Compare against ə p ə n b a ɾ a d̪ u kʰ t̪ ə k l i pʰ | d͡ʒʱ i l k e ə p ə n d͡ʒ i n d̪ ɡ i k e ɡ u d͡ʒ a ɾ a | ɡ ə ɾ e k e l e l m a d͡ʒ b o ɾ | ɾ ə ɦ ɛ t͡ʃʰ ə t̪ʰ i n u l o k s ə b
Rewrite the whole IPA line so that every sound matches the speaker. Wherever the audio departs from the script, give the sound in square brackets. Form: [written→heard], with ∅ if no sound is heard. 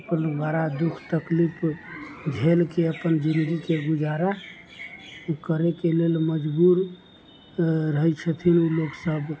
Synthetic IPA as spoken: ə p ə n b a ɾ a d̪ u kʰ t̪ ə k l i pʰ | d͡ʒʱ [i→e] l k e ə p ə n d͡ʒ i n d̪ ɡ i k e ɡ u d͡ʒ a ɾ a | [ɡ→k] ə ɾ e k e l e l m [a→ə] d͡ʒ b [o→u] ɾ | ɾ ə ɦ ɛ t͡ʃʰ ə t̪ʰ i n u l o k s ə b